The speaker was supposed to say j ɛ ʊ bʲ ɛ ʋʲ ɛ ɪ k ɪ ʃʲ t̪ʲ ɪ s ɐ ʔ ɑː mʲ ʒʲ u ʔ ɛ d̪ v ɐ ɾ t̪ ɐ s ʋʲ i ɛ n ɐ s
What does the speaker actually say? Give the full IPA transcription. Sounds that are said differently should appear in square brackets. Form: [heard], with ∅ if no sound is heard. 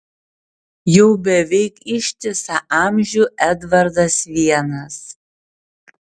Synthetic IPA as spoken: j ɛ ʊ bʲ ɛ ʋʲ ɛ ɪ k ɪ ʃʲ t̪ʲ ɪ s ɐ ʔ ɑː mʲ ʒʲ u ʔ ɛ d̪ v ɐ ɾ [d̪] ɐ s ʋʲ i ɛ n ɐ s

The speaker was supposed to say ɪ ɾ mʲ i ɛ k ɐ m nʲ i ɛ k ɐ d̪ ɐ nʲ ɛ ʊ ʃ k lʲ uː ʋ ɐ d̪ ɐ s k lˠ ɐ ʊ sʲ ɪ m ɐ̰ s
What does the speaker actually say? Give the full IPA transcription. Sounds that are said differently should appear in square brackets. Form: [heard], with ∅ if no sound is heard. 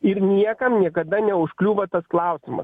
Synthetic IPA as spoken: ɪ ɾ [nʲ] i ɛ k ɐ m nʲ i ɛ k ɐ d̪ ɐ nʲ ɛ ʊ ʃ k lʲ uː ʋ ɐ [t̪] ɐ s k lˠ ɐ ʊ sʲ ɪ m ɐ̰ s

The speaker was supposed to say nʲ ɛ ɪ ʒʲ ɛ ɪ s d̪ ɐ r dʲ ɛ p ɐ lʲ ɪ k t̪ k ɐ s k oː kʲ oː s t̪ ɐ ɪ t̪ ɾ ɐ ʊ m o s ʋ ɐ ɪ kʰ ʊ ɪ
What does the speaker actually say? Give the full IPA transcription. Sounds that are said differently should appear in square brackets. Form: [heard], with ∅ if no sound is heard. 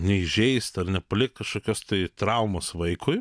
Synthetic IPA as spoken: nʲ ɛ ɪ ʒʲ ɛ ɪ s [t̪] ɐ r [nʲ] ɛ p ɐ lʲ ɪ k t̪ k ɐ [ʃ] k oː kʲ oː s t̪ ɐ ɪ t̪ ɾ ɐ ʊ m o s ʋ ɐ ɪ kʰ ʊ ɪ

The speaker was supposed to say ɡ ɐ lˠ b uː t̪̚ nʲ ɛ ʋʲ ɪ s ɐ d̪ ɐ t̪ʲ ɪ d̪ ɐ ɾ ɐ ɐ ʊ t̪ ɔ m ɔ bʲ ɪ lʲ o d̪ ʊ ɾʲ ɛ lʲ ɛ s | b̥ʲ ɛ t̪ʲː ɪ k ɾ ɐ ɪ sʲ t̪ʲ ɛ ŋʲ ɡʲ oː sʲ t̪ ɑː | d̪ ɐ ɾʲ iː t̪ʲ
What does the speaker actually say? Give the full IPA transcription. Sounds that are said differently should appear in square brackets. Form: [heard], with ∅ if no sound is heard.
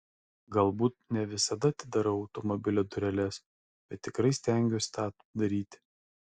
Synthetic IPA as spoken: ɡ ɐ lˠ b uː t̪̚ nʲ ɛ ʋʲ ɪ s ɐ d̪ ɐ t̪ʲ ɪ d̪ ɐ ɾ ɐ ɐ ʊ t̪ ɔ m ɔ bʲ ɪ lʲ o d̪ ʊ ɾʲ ɛ lʲ ɛ s | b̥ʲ ɛ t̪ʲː ɪ k ɾ ɐ ɪ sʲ t̪ʲ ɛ ŋʲ ɡʲ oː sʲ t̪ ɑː | d̪ ɐ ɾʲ iː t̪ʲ

